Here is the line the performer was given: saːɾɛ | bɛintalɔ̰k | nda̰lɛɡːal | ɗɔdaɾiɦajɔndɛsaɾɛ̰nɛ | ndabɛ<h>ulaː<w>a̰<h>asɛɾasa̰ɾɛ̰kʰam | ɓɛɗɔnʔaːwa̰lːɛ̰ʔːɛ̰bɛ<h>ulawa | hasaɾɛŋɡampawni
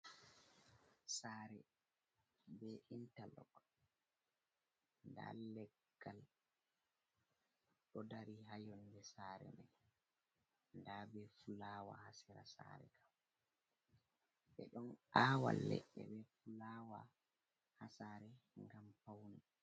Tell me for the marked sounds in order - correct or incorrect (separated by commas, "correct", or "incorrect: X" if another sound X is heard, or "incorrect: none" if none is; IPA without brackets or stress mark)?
incorrect: f, correct, correct, incorrect: f